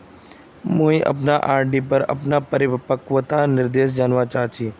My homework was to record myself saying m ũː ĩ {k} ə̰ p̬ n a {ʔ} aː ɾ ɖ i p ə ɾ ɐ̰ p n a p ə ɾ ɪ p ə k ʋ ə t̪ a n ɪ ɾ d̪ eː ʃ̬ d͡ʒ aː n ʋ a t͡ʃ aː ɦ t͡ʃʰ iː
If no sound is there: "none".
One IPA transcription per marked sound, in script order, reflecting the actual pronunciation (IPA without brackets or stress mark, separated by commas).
ʔ, ʔ